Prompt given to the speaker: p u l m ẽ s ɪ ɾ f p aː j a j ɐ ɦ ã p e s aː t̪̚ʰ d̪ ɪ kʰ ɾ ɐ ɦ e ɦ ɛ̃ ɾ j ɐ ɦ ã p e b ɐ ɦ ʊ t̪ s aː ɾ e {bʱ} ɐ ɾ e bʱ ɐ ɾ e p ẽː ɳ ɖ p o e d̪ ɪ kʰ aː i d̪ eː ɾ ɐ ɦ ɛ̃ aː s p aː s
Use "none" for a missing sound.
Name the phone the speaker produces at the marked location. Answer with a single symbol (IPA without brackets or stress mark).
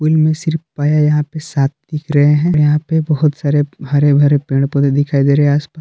bʱ